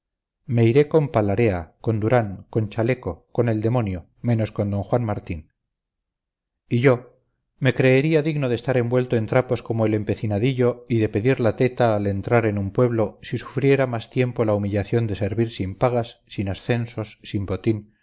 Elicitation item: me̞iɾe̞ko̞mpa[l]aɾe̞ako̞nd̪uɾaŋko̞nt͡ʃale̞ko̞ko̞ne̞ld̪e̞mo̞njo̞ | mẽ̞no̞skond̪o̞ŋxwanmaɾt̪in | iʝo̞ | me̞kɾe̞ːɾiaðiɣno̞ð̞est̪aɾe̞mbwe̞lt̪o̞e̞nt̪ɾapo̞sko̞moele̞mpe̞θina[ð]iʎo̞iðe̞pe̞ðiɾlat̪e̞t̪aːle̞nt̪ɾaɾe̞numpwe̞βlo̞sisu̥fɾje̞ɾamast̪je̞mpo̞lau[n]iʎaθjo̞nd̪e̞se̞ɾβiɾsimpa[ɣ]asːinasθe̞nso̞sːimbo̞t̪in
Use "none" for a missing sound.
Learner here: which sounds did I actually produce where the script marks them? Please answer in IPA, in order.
l, ð, m, ɣ

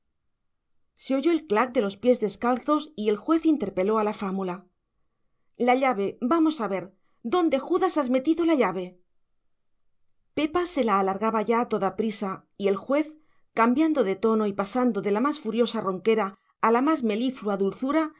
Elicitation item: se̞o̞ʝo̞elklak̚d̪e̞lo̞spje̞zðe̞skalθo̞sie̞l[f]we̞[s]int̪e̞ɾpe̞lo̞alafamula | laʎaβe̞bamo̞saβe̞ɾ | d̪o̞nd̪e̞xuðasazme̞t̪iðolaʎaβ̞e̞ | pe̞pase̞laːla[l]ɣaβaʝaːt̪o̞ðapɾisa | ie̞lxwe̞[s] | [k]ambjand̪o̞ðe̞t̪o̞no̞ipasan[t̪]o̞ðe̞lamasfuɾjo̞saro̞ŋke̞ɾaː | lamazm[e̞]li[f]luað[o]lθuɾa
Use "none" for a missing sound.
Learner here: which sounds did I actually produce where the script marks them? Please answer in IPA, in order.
x, θ, ɾ, θ, k, d̪, e̞, f, u

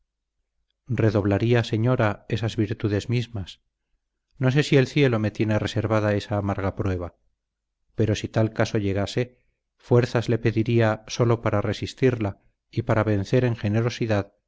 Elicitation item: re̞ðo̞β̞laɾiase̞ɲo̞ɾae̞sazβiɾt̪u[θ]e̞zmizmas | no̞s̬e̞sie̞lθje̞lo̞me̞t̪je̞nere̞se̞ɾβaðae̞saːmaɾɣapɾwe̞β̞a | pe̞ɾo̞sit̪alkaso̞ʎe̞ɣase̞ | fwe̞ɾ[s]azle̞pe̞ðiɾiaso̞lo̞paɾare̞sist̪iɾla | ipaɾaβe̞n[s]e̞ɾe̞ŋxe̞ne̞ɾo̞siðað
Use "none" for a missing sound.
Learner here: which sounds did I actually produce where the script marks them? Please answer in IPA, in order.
ð, θ, θ

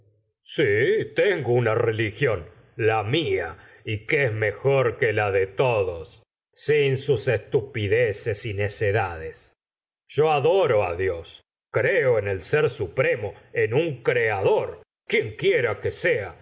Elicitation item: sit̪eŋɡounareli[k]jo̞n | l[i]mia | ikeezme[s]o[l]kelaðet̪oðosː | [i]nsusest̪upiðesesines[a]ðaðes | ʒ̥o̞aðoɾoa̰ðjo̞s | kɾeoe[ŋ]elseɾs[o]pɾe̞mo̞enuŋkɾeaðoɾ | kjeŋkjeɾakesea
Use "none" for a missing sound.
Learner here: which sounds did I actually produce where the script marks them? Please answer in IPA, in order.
x, a, x, ɾ, i, e, n, u

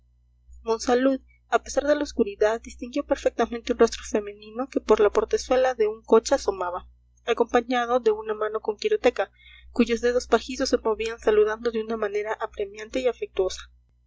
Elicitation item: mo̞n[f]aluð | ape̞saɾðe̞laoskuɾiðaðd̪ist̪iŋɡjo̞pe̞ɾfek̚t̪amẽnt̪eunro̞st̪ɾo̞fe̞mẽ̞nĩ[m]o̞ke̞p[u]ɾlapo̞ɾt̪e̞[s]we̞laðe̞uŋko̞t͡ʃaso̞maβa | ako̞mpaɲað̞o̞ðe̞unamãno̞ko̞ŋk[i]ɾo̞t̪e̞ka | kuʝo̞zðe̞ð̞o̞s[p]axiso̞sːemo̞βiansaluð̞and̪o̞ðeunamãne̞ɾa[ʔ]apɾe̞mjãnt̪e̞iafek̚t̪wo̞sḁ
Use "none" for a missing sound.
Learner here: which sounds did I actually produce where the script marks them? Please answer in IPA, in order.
s, n, o, s, i, p, ʔ

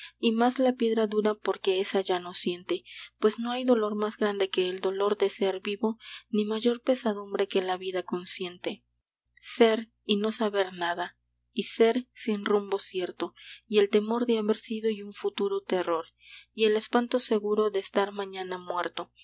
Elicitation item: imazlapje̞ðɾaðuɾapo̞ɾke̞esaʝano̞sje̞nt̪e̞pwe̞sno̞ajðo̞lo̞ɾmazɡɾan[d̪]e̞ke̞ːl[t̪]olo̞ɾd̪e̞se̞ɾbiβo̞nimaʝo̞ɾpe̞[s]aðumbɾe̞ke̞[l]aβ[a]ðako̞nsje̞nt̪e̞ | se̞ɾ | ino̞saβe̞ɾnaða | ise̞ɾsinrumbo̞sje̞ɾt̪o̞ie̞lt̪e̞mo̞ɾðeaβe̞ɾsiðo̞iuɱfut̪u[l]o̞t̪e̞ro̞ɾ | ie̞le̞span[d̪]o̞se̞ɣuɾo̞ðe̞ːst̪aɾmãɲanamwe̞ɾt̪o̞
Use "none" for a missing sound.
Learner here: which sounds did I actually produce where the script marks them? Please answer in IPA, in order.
d̪, d̪, s, l, i, ɾ, t̪

